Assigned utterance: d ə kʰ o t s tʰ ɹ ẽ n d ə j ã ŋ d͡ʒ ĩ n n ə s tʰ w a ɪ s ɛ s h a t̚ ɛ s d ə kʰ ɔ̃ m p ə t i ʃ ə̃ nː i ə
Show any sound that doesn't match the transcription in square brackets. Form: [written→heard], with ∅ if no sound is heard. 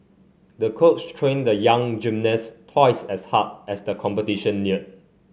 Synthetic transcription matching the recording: d ə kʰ o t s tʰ ɹ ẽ n d ə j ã ŋ d͡ʒ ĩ [n→m] n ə s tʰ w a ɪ s ɛ s h a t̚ ɛ s d ə kʰ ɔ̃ m p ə t i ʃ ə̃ nː i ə